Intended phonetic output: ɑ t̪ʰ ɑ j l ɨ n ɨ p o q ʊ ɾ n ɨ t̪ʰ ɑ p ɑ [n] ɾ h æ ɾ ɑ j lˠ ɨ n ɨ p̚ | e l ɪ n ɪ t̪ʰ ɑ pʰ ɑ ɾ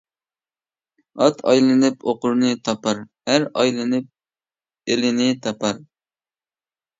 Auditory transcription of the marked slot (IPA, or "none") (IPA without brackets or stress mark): none